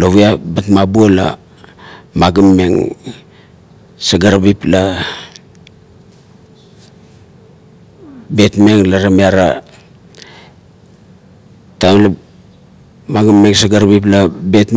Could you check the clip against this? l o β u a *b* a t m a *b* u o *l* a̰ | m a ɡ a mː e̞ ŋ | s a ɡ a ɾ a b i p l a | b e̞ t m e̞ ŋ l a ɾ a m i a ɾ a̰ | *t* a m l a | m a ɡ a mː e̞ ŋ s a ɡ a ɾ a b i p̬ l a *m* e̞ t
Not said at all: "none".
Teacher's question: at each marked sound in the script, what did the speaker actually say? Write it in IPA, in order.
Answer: b, b, l, t, b

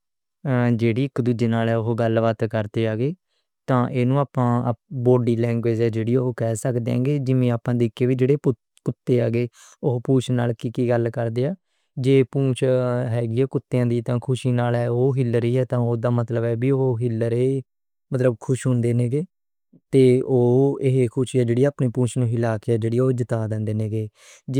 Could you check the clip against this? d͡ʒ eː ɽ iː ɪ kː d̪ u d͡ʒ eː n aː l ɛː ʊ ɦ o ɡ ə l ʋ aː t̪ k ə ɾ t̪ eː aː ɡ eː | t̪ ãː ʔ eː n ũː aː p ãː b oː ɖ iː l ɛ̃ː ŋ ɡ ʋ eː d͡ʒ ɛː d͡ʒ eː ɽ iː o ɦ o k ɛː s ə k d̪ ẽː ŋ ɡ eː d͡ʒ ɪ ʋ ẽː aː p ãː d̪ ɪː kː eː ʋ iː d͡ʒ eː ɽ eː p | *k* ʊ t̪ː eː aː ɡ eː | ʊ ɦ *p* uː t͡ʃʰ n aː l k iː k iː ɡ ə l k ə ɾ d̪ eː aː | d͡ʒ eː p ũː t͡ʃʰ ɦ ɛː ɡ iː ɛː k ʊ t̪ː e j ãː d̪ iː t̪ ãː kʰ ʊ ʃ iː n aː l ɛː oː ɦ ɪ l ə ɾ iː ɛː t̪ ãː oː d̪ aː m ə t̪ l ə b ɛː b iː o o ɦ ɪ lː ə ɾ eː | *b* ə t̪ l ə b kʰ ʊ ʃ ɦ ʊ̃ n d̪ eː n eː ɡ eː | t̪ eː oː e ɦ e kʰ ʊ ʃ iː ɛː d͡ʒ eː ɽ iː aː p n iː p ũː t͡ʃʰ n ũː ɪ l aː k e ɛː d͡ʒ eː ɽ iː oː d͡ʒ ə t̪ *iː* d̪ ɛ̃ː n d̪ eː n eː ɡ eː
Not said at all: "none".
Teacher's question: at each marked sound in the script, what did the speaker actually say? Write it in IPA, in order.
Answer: k, p, m, aː

